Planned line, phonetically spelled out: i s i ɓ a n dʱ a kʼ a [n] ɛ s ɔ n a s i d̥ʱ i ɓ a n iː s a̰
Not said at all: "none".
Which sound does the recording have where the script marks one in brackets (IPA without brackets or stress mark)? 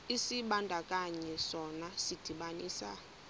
ɲ